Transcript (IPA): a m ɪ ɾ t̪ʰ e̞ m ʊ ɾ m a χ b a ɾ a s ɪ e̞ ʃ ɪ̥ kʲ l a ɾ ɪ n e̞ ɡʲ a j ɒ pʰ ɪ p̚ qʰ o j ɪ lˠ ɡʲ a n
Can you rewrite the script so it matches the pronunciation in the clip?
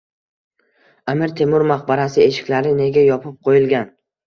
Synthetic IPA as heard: a m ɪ ɾ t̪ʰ e̞ m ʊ ɾ m a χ b a ɾ a s ɪ e̞ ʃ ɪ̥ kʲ l a ɾ ɪ n e̞ ɡʲ a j ɒ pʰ ɪ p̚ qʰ o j ɪ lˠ ɡʲ a n